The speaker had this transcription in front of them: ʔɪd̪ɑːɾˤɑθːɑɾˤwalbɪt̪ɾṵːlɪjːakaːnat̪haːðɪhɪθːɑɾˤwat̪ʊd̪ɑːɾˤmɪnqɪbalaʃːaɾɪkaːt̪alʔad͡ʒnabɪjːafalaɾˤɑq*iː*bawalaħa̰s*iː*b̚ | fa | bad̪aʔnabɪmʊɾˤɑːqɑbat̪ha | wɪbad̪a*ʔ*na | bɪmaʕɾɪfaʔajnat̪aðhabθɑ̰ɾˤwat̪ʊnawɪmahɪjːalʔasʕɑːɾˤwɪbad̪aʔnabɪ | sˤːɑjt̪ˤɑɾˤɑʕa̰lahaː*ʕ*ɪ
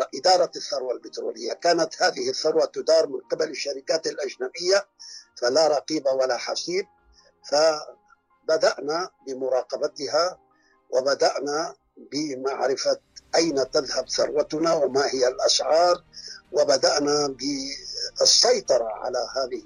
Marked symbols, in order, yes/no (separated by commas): yes, yes, yes, no